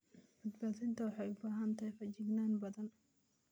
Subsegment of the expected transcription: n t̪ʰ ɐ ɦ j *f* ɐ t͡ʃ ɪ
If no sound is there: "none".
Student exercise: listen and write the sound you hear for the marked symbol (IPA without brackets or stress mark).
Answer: f